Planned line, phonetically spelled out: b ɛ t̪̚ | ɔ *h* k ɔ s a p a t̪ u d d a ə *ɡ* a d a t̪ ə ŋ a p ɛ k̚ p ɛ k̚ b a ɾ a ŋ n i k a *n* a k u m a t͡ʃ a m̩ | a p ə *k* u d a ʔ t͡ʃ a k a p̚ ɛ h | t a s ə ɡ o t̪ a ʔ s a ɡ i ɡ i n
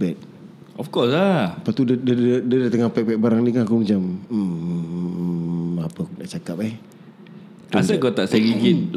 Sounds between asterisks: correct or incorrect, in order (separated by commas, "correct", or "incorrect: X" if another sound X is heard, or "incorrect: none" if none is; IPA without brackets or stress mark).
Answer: incorrect: f, incorrect: d, correct, correct